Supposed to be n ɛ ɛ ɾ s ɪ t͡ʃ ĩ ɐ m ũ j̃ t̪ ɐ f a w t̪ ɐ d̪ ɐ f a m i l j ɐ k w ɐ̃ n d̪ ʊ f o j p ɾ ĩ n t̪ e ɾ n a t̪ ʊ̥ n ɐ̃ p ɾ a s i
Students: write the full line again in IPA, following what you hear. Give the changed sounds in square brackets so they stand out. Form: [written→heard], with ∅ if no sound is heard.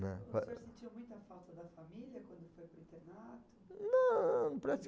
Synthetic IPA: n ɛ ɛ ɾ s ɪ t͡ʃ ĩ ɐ m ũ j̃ t̪ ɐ f a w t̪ ɐ d̪ ɐ f a m i l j ɐ k w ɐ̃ n d̪ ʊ f o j p ɾ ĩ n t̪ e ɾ n a t̪ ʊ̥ n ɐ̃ p ɾ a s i